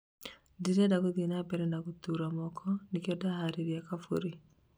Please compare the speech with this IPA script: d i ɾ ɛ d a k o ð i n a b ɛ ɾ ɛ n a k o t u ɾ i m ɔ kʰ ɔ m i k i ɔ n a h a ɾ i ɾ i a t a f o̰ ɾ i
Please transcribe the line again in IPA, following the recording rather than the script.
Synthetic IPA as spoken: d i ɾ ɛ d a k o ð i n a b ɛ ɾ ɛ n a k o t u ɾ a m ɔ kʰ ɔ n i k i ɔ d a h a ɾ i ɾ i a k a f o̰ ɾ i